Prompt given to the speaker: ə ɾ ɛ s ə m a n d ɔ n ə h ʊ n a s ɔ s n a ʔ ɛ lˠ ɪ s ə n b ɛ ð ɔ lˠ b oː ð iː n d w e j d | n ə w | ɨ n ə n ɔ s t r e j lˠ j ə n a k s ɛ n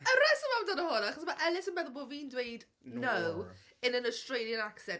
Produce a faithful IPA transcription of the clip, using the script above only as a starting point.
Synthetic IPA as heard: ə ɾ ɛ s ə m a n d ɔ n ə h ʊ n a χ ɔ s m a ʔ ɛ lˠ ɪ s ə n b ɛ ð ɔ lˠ b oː v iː n d w e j d | n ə w | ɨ n ə n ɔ s t r e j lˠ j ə n a k s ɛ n